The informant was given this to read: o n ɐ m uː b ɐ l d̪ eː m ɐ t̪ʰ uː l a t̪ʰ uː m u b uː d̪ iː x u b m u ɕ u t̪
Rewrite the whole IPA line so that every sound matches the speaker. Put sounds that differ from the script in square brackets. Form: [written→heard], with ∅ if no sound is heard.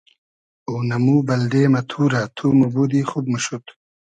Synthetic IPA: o n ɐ m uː b ɐ l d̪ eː m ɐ t̪ʰ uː [l→ɾ] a t̪ʰ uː m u b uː d̪ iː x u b m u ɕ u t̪